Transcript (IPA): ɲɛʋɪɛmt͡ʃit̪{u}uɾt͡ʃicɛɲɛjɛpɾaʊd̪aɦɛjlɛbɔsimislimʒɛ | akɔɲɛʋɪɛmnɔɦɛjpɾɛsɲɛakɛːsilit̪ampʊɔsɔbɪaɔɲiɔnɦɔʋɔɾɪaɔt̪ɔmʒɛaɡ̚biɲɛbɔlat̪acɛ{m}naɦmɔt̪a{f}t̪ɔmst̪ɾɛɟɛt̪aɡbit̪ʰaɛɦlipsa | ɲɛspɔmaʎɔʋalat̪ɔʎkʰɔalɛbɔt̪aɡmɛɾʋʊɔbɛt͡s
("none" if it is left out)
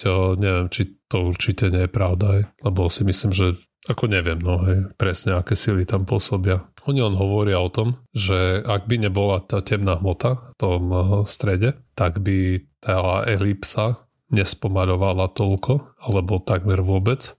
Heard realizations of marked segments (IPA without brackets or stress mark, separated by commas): ɔ, m, f